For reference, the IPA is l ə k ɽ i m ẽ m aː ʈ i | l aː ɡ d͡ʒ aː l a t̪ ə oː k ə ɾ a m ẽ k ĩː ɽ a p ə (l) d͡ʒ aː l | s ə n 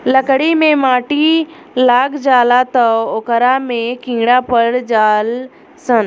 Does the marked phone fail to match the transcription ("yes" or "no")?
yes